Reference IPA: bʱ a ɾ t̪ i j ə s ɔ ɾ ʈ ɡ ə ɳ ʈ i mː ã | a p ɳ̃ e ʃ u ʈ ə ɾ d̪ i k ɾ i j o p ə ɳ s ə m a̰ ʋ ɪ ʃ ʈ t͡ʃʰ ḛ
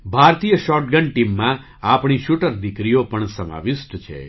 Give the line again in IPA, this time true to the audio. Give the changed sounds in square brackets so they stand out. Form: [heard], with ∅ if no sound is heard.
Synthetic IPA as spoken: bʱ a ɾ t̪ i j ə [ʃ] ɔ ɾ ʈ ɡ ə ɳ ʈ i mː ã | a p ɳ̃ [i] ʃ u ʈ ə ɾ d̪ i k ɾ i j o p ə ɳ s ə m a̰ ʋ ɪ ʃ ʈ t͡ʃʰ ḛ